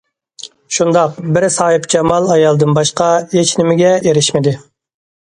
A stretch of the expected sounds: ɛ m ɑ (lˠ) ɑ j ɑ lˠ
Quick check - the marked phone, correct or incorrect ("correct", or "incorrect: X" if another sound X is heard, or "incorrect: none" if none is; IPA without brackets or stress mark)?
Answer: correct